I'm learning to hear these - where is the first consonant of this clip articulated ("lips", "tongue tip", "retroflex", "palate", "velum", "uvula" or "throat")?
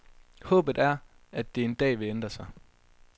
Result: throat